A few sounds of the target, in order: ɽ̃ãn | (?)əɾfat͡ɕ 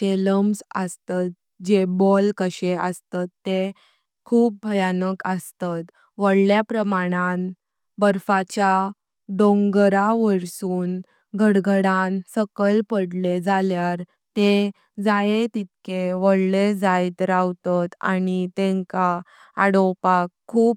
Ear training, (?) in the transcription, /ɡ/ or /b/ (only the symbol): b